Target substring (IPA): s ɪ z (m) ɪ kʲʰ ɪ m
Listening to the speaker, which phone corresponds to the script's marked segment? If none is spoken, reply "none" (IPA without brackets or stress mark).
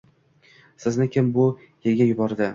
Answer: n